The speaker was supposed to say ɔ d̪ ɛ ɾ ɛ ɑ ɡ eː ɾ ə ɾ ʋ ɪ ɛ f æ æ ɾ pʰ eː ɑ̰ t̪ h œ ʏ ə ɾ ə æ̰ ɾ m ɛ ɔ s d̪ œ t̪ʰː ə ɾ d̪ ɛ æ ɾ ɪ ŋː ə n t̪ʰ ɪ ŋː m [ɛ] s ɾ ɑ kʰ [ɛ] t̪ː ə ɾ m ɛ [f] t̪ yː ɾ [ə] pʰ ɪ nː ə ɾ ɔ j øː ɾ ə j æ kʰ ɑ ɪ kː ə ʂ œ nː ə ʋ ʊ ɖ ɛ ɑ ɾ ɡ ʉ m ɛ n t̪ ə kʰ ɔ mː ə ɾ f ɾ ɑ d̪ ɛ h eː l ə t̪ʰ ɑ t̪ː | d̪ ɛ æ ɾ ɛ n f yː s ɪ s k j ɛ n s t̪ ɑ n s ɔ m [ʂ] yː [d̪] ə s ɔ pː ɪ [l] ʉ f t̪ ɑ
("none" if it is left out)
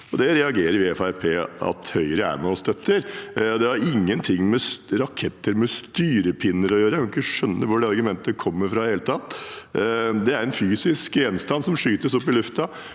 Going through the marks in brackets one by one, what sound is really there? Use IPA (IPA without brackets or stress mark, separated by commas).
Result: ɛ, ɛ, s, ə, ʂ, t̪, l